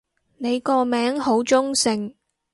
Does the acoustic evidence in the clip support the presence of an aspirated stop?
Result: no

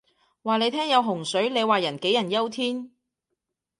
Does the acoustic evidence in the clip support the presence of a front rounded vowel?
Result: no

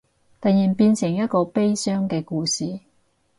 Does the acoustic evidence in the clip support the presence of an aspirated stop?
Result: no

